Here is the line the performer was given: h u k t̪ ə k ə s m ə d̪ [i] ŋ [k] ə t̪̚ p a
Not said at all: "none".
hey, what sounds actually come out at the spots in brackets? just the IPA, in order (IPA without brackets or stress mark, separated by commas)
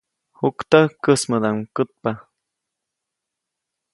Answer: a, k